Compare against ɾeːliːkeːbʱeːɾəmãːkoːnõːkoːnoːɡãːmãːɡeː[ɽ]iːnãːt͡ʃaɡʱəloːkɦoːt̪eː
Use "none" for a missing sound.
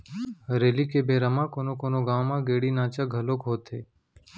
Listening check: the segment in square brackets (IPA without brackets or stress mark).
ɽ